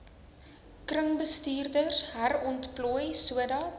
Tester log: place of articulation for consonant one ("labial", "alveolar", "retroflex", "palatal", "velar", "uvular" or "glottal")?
velar